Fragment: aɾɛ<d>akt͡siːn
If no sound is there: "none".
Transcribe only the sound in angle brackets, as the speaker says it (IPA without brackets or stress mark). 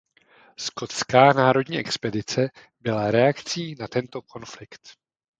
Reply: none